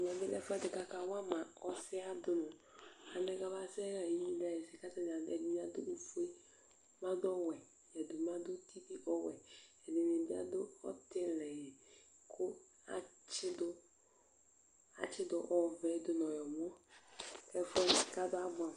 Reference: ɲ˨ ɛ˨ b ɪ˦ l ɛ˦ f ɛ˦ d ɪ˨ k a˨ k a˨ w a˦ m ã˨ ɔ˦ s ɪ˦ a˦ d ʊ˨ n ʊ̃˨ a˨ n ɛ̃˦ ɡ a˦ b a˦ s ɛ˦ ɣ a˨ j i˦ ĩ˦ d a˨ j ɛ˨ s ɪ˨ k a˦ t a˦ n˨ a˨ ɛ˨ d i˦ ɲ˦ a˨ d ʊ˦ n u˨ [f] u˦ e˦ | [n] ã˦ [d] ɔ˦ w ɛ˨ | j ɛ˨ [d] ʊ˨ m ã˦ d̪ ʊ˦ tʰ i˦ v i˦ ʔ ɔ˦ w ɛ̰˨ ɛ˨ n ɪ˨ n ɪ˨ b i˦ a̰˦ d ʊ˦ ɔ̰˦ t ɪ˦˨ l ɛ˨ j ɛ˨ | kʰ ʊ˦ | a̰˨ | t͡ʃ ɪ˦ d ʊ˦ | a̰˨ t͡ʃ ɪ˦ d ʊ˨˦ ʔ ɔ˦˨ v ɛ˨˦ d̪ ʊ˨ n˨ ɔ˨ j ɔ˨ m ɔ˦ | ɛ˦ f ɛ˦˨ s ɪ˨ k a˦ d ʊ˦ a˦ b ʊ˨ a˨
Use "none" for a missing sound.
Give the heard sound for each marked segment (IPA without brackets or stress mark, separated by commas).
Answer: f, m, d, d